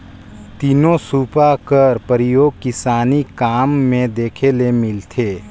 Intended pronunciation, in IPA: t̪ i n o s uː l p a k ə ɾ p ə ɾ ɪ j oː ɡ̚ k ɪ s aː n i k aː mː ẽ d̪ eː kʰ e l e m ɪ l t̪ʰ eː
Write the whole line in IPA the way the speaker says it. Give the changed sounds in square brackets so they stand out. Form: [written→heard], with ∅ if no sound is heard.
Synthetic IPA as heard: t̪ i n o s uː [l→∅] p a k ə ɾ p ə ɾ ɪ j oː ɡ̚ k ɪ s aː n i k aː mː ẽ d̪ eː kʰ e l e m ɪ l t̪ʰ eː